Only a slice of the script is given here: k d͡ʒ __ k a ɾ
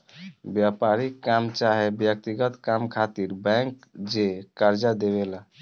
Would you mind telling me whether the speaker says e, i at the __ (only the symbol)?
e